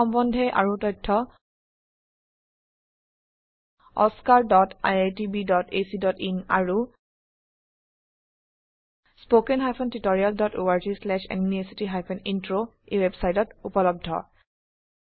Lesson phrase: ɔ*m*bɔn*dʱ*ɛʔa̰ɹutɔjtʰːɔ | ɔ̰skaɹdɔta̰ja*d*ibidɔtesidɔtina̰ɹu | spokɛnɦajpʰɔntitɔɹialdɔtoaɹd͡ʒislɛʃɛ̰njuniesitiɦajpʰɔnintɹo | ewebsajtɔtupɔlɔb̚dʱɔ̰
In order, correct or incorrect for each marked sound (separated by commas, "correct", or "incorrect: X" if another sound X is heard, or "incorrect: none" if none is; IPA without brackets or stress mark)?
correct, correct, incorrect: t